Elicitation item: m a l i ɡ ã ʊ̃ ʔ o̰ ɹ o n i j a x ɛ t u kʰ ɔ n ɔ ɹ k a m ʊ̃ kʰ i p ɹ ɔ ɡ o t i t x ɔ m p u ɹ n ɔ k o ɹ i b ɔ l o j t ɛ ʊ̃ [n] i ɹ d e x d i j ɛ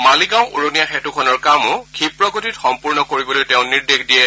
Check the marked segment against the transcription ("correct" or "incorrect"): correct